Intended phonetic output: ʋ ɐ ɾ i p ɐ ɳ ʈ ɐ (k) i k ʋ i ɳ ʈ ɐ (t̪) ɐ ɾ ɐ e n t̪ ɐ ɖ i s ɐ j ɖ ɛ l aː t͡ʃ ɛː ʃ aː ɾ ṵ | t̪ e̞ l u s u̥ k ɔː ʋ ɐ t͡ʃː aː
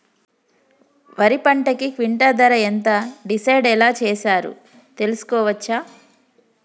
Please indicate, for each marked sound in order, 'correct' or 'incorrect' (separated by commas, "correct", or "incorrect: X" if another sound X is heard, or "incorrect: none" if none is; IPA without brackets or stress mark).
correct, incorrect: d̪